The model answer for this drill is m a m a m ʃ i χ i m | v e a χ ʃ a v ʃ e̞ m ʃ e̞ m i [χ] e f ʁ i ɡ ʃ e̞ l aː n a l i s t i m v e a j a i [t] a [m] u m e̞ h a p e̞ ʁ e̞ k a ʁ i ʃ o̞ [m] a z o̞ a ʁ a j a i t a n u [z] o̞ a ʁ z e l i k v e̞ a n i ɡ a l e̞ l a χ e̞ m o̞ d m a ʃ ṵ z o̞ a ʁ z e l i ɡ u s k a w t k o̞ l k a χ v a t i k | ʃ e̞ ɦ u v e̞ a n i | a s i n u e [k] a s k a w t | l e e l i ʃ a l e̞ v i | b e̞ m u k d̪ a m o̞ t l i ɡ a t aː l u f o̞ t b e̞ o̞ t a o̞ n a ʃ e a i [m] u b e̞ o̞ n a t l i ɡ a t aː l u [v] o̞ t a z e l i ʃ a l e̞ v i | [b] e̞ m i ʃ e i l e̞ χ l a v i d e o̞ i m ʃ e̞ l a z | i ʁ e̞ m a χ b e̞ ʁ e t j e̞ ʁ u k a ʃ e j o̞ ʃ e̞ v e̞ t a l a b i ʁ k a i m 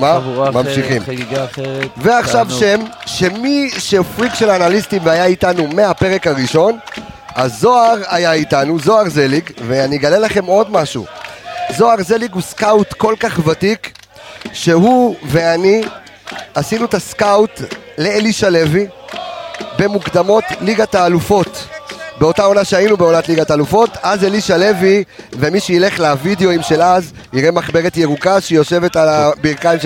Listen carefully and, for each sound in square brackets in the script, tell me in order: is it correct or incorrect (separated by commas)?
incorrect, correct, incorrect, incorrect, correct, incorrect, incorrect, incorrect, incorrect